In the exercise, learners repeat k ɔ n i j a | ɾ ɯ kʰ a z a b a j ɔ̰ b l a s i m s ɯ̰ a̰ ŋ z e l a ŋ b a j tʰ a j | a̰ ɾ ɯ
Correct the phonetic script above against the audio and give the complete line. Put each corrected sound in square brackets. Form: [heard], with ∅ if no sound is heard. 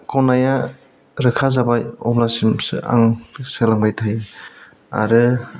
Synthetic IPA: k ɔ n [a] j a | ɾ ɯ kʰ a z a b a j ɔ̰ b l a s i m s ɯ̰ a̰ ŋ [s] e l a ŋ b a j tʰ a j | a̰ ɾ ɯ